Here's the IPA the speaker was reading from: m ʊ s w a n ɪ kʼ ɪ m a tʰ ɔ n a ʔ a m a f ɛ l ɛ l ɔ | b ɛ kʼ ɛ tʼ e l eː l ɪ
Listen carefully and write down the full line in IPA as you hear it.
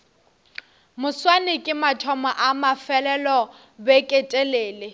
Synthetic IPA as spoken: m ʊ s w a n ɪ kʼ ɪ m a tʰ ɔ m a ʔ a m a f ɛ l ɛ l ɔ | b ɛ kʼ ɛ tʼ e l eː l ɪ